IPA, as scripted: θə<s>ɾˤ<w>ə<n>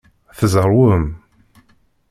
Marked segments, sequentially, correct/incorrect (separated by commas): incorrect, correct, incorrect